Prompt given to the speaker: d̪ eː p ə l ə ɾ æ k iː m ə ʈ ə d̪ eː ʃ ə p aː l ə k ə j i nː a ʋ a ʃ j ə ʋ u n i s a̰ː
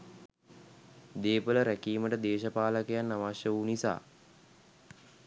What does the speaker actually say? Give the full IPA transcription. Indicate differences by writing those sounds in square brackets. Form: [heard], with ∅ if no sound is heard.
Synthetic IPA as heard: d̪ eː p ə l ə ɾ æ k iː m ə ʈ ə d̪ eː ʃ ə p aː l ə k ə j [a] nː a ʋ a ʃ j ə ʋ u n i s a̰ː